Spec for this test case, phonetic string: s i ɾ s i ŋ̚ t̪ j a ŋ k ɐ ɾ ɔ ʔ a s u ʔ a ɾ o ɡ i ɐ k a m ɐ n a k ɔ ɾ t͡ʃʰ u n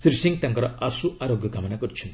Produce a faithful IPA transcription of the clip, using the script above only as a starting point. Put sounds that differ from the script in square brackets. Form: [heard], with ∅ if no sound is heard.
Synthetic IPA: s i ɾ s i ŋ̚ t̪ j a ŋ k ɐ ɾ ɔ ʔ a s u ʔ a ɾ o ɡ [j] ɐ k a m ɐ n a k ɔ ɾ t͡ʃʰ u n